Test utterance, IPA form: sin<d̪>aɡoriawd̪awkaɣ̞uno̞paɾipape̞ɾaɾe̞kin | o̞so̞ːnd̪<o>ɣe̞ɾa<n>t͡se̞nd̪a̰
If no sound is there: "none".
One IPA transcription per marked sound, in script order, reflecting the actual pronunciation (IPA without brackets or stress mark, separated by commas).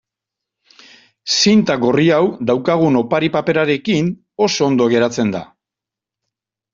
t̪, o, none